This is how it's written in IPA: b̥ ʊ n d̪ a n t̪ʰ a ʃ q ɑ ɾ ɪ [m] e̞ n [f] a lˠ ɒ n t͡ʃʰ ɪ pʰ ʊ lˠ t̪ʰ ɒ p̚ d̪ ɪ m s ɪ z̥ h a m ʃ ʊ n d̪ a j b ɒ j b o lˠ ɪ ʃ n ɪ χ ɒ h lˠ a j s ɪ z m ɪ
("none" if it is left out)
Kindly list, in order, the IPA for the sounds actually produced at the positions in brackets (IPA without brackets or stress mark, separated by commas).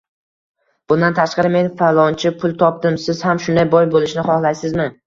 m, f